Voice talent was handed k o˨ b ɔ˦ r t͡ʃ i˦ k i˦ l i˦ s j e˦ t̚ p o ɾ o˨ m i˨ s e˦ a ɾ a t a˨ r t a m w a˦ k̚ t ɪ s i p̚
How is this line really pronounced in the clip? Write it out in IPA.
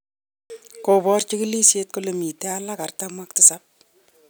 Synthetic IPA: k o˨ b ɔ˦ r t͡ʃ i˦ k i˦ l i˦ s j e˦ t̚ k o l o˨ m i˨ t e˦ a l a k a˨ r t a m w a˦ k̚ t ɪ s a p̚